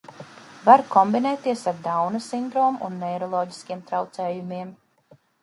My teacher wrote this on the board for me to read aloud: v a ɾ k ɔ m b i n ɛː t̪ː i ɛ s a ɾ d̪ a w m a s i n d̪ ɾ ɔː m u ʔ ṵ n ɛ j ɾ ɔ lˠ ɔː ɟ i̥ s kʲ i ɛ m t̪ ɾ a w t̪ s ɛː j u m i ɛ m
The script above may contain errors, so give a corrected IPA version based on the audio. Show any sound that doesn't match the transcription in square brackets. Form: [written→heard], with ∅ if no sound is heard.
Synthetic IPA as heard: v a ɾ k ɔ m b i n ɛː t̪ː i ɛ s a ɾ d̪ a w [m→n] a s i n d̪ ɾ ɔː m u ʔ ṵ [n→nː] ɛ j ɾ ɔ lˠ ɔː ɟ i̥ s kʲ i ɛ m t̪ ɾ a w t̪ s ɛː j u m i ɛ m